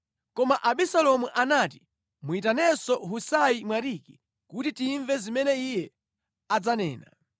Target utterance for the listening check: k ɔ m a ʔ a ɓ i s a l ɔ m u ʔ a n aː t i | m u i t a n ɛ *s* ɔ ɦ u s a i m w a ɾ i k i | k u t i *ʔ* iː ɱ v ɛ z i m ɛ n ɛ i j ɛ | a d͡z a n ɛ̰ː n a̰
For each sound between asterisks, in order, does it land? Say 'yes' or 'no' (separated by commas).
yes, no